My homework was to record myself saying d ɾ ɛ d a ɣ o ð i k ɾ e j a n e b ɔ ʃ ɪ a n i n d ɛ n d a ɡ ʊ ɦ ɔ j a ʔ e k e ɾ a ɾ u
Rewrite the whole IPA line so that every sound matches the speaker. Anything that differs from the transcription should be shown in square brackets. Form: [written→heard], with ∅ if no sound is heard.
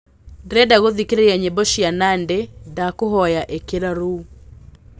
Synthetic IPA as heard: d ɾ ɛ d a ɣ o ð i k ɾ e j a [n→ɲ] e b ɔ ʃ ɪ a n [i→a] n d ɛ [n→∅] d a [ɡ→k] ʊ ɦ ɔ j a ʔ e k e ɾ a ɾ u